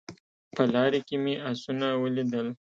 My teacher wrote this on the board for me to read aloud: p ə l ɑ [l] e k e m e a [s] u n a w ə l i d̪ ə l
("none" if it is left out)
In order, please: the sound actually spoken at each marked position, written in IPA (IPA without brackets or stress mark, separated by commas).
ɾ, s